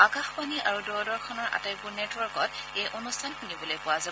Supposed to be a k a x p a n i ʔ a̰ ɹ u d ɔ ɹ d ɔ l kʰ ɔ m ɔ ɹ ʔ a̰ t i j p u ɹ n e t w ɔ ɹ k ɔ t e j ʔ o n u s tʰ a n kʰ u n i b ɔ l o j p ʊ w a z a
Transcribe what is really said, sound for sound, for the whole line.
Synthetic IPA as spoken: a k a x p a n i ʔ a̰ ɹ u d ɔ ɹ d ɔ ɹ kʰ ɔ n ɔ ɹ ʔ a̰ t a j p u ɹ n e t w ɔ ɹ k ɔ t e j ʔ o n u s tʰ a n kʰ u n i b ɔ l o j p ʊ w a z a

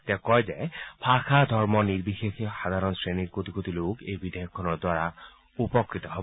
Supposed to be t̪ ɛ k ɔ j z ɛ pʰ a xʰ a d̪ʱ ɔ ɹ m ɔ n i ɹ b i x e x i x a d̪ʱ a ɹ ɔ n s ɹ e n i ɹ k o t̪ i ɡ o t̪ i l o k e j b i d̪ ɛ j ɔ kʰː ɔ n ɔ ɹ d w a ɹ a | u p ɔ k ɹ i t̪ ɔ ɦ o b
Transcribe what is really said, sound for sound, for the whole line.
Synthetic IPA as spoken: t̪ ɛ k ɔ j z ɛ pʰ a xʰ a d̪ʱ ɔ ɹ m ɔ n i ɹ b i x e x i x a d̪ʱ a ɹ ɔ n s ɹ e n i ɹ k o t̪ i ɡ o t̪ i l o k e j b i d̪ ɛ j ɔ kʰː ɔ n ɔ ɹ d w a ɹ a | u p ɔ k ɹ i t̪ ɔ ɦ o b

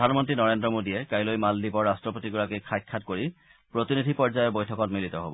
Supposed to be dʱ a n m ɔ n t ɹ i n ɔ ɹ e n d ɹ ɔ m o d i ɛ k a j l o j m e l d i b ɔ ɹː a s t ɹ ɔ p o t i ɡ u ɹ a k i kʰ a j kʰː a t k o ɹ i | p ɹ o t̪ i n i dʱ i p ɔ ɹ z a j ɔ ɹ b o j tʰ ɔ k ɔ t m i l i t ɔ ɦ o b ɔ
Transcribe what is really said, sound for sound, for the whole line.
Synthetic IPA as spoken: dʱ a n m ɔ n t ɹ i n ɔ ɹ e n d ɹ ɔ m o d i ɛ k a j l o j m a l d i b ɔ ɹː a s t ɹ ɔ p o t i ɡ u ɹ a k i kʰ a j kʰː a t k o ɹ i | p ɹ o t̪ i n i dʱ i p ɔ ɹ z a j ɔ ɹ b o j tʰ ɔ k ɔ t m i l i t ɔ ɦ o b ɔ

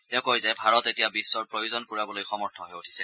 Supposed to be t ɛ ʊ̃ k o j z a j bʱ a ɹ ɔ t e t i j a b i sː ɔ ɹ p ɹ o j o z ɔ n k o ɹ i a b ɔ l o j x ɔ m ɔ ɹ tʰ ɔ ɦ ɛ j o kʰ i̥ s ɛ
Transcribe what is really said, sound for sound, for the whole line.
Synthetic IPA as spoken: t ɛ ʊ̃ k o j z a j bʱ a ɹ ɔ t e t i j a b i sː ɔ ɹ p ɹ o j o z ɔ n k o ɹ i a b ɔ l o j x ɔ m ɔ ɹ tʰ ɔ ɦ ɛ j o tʰ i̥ s ɛ

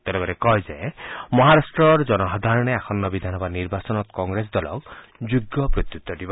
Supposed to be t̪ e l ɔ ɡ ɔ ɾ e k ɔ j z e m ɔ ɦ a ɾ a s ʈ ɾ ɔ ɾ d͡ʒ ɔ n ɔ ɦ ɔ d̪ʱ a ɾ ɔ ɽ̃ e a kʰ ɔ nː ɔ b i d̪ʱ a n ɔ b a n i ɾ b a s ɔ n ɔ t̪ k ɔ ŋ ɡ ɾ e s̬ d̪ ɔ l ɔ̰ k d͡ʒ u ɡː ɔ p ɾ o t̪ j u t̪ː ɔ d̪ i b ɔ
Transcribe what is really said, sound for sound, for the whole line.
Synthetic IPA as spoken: t̪ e l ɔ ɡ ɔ ɾ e k ɔ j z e m ɔ ɦ a ɾ a s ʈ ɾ ɔ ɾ d͡ʒ ɔ n ɔ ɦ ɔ d̪ʱ a ɾ ɔ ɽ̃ e a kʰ ɔ nː ɔ b i d̪ʱ a n ɔ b a n i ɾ b a s ɔ n ɔ t̪ k ɔ ŋ ɡ ɾ e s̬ d̪ ɔ l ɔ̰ k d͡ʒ u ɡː ɔ p ɾ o t̪ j u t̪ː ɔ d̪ i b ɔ

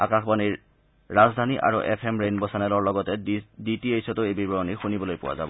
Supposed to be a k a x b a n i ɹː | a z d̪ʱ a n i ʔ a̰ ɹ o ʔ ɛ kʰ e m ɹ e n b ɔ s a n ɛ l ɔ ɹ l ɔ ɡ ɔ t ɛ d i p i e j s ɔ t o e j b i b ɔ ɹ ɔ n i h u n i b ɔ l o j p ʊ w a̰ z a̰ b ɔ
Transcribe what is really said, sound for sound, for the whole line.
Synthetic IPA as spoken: a k a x b a n i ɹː | a z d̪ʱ a n i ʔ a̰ ɹ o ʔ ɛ pʰ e m ɹ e n b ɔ s a n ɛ l ɔ ɹ l ɔ ɡ ɔ t ɛ d i t i e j s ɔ t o e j b i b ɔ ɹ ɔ n i x u n i b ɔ l o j p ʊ w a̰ z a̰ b ɔ

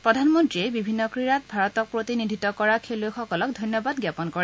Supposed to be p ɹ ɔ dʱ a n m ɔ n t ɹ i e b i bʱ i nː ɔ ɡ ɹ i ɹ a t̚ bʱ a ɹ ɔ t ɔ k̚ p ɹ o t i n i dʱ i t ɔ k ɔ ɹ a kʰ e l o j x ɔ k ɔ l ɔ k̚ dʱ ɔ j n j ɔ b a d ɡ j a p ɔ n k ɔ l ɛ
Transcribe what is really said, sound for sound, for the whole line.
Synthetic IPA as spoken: p ɹ ɔ dʱ a n m ɔ n t ɹ i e b i bʱ i nː ɔ k ɹ i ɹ a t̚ bʱ a ɹ ɔ t ɔ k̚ p ɹ o t i n i dʱ i t ɔ k ɔ ɹ a kʰ e l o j x ɔ k ɔ l ɔ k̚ dʱ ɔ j n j ɔ b a d ɡ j a p ɔ n k ɔ ɹ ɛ

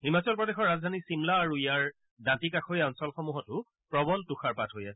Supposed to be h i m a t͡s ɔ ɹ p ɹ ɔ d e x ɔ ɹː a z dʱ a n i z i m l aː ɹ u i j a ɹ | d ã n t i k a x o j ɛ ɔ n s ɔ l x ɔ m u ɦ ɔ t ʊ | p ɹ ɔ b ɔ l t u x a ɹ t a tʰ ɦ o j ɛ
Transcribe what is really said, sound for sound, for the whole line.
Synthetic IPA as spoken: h i m a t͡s ɔ l p ɹ ɔ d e x ɔ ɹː a z dʱ a n i s i m l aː ɹ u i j a ɹ | d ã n t i k a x o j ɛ ɔ n s ɔ l x ɔ m u ɦ ɔ t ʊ | p ɹ ɔ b ɔ l t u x a ɹ p a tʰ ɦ o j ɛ

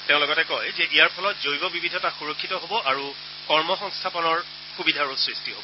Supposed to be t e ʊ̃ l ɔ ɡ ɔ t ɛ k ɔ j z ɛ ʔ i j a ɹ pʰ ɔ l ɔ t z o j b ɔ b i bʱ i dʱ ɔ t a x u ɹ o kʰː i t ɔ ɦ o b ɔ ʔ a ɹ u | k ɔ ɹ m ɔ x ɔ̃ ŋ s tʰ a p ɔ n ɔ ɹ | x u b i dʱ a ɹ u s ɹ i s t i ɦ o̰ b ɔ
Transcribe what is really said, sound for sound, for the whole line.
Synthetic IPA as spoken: t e ʊ̃ l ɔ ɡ ɔ t ɛ k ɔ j z ɛ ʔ i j a ɹ pʰ ɔ l ɔ t z o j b ɔ b i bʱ i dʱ ɔ t a x u ɹ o kʰː i t ɔ ɦ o b ɔ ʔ a ɹ u | k ɔ ɹ m ɔ x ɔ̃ ŋ s tʰ a p ɔ n ɔ ɹ | x u b i dʱ a ɹ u s ɹ i s t i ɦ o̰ b ɔ

